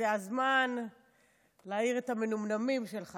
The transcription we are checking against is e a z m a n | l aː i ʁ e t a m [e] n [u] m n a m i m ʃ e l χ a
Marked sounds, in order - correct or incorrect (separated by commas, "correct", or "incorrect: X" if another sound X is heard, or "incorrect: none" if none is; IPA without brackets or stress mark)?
correct, correct